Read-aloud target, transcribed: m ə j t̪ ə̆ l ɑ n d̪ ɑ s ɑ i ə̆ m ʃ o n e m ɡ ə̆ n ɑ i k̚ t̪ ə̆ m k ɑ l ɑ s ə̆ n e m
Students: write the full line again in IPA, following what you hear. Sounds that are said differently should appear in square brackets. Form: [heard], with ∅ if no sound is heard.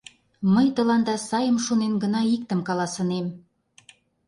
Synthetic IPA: m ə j t̪ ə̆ l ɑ n d̪ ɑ s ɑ [j] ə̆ m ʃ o n e [n] ɡ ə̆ n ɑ i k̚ t̪ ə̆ m k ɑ l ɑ s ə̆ n e m